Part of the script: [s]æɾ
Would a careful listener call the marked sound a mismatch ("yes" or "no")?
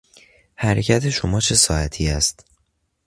yes